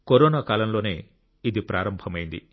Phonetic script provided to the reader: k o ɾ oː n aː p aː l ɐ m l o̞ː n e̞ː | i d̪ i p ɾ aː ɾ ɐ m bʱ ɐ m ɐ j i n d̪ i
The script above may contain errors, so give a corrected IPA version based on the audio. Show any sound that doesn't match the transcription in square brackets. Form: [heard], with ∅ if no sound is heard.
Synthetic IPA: k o ɾ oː n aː [k] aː l ɐ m l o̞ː n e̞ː | i d̪ i p ɾ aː ɾ ɐ m bʱ ɐ m ɐ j i n d̪ i